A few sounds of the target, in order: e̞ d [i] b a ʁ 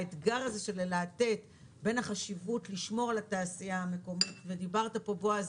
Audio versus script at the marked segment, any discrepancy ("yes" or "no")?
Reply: no